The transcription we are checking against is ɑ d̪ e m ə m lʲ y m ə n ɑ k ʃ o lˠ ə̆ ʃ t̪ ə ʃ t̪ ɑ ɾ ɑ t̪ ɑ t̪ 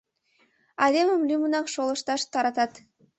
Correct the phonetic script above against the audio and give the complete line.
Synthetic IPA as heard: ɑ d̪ e m ə m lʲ y m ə n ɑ k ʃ o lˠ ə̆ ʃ t̪ ɑ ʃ t̪ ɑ ɾ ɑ t̪ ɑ t̪